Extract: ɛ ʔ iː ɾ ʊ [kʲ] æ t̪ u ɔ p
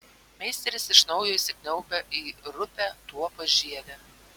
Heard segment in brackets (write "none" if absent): pʲ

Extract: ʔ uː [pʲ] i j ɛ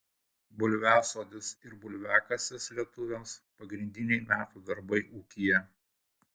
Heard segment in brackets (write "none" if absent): kʲ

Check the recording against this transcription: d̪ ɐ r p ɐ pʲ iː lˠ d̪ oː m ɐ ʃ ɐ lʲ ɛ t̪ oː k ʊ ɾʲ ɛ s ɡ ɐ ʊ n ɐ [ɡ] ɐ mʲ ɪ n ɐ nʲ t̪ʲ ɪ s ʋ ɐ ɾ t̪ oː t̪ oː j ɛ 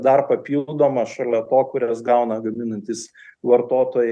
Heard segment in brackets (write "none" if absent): ɡ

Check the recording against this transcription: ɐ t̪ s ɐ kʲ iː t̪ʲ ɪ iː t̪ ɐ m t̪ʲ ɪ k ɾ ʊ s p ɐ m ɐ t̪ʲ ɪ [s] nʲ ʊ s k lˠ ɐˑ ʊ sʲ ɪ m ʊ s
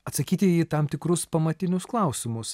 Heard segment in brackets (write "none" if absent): none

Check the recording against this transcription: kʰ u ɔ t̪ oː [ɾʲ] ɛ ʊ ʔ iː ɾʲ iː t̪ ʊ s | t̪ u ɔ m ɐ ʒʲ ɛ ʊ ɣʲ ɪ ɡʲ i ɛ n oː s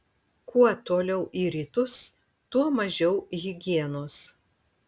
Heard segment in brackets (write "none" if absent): lʲ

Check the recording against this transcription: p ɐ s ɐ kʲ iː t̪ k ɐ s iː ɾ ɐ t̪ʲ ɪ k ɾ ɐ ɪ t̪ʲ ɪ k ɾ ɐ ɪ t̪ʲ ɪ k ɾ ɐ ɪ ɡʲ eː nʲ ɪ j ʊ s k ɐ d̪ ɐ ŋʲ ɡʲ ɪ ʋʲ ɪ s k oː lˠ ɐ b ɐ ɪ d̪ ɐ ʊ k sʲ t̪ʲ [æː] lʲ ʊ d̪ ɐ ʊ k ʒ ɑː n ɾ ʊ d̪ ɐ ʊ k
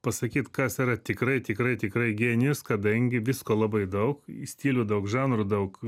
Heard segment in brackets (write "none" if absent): iː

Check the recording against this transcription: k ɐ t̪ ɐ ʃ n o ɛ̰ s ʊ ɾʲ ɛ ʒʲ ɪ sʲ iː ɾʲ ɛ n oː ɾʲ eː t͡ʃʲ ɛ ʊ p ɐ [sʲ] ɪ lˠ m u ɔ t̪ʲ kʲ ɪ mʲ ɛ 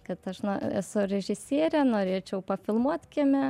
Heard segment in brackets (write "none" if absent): fʲ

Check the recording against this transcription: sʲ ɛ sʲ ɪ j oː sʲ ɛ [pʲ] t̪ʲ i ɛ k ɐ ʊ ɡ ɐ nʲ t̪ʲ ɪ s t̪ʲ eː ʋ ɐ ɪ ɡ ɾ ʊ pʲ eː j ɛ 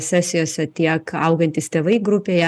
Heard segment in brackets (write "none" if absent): none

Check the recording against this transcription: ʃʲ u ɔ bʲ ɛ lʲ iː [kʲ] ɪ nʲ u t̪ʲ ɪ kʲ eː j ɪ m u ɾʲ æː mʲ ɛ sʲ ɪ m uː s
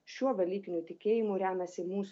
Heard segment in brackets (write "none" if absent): kʲ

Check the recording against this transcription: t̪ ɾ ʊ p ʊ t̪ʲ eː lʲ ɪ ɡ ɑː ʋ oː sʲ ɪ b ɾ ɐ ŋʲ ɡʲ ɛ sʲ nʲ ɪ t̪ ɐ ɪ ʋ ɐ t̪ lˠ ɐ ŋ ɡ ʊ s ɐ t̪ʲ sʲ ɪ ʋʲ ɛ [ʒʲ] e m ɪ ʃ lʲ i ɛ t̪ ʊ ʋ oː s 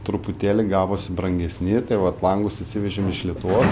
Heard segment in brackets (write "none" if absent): ʒʲ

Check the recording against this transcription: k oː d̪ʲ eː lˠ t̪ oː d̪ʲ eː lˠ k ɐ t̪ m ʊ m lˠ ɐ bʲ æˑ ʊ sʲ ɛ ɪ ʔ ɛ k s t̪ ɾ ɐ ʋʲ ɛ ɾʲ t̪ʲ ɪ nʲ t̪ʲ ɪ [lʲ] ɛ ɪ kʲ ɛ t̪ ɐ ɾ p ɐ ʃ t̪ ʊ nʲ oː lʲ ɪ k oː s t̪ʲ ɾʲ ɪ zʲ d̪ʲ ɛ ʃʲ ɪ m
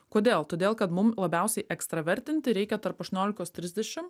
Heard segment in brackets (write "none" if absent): ɾʲ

